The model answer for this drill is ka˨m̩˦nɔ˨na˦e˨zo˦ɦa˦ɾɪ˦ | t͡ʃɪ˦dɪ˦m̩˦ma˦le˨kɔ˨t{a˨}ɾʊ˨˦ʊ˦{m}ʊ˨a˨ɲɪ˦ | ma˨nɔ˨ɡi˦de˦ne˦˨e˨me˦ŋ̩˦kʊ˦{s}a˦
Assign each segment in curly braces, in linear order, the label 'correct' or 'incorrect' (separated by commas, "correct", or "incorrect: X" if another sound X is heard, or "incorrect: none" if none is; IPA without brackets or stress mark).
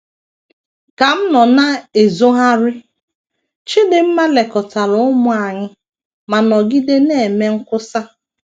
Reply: correct, correct, correct